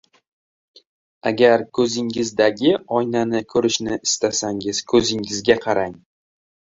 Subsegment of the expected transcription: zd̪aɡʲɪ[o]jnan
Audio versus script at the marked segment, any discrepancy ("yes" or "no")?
yes